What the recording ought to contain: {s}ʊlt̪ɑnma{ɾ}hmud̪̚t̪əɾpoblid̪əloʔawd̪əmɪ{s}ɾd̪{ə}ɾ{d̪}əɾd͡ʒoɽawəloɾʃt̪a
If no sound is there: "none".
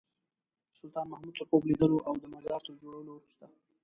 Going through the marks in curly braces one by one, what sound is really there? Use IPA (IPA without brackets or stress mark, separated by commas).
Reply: s, none, none, ɑ, t̪